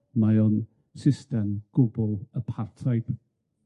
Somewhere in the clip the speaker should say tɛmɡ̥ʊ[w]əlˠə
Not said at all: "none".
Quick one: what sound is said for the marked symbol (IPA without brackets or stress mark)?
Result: b